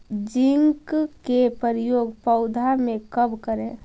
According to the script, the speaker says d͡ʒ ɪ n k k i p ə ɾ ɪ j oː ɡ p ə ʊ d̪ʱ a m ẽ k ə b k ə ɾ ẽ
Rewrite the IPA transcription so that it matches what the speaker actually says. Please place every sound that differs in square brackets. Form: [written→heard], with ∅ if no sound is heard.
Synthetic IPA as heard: d͡ʒ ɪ [n→ŋ] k k [i→e] p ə ɾ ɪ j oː ɡ p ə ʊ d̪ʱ a m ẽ k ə b k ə ɾ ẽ